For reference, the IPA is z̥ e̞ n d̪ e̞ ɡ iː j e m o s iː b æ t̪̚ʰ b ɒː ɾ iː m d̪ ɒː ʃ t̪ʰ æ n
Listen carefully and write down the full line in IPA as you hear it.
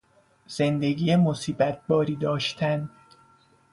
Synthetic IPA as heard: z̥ e̞ n d̪ e̞ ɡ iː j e m o s iː b æ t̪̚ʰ b ɒː ɾ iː d̪ ɒː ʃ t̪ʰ æ n